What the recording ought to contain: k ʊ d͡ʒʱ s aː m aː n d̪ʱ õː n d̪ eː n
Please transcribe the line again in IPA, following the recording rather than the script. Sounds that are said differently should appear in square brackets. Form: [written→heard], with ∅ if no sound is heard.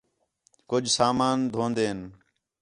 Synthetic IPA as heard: k ʊ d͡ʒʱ s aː m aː n d̪ʱ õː n d̪ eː n

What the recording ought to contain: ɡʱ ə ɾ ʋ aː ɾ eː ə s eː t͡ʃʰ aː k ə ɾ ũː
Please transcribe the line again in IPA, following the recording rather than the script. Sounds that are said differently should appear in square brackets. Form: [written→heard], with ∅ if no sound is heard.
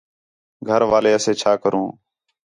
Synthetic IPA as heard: ɡʱ ə ɾ ʋ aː [ɾ→l] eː ə s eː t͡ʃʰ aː k ə ɾ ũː

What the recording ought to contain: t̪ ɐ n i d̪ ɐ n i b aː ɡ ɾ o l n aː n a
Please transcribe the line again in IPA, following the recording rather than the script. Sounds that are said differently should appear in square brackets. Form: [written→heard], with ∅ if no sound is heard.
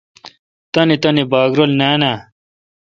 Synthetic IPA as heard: t̪ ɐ n i [d̪→t̪] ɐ n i b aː ɡ ɾ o l n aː n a

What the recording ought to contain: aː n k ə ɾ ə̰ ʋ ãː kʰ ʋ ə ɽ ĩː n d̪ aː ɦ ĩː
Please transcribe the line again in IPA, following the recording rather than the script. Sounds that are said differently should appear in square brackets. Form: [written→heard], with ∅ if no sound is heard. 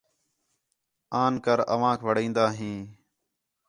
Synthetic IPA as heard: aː n k ə ɾ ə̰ ʋ ãː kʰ ʋ ə ɽ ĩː n d̪ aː ɦ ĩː

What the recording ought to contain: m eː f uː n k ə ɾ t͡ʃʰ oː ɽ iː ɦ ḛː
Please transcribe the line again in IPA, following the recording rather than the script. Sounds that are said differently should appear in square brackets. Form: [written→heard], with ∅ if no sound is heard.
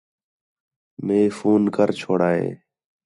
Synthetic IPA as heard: m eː f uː n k ə ɾ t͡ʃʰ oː ɽ [iː→aː] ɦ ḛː

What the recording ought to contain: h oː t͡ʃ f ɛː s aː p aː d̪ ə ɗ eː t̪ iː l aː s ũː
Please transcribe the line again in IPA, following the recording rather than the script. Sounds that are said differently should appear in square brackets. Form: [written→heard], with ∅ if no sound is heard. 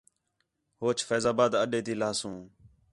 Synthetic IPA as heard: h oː t͡ʃ f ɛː [s→z] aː [p→b] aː d̪ ə ɗ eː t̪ iː l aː s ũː

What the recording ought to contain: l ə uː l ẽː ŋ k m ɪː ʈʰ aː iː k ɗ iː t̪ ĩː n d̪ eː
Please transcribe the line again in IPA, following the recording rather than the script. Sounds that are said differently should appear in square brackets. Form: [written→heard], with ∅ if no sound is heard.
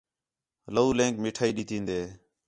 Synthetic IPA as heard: l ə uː l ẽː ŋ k m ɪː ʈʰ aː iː [k→∅] ɗ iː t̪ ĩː n d̪ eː

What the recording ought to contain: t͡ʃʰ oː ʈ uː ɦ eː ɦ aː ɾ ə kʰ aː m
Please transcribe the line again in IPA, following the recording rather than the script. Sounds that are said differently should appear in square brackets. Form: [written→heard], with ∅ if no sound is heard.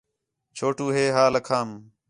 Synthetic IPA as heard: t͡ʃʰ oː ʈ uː ɦ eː ɦ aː [ɾ→l] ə kʰ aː m

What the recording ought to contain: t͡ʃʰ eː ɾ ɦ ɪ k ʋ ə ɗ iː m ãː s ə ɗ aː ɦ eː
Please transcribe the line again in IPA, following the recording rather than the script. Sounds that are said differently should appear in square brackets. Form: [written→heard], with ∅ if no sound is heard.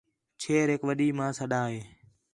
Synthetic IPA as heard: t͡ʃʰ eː ɾ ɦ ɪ k ʋ ə ɗ iː m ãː s ə ɗ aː ɦ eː

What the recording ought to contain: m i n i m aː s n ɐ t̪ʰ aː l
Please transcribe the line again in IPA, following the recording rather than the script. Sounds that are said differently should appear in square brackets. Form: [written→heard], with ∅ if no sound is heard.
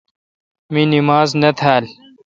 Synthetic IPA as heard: m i n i m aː [s→z] n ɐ t̪ʰ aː l

